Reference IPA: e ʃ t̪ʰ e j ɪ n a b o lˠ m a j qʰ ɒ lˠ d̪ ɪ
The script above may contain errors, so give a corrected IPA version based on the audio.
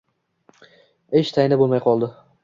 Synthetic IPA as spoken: e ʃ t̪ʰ a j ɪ n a b o lˠ m a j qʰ ɒ lˠ d̪ ɪ